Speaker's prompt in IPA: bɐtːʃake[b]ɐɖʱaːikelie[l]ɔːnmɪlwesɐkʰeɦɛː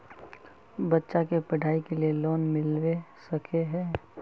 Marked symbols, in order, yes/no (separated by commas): no, yes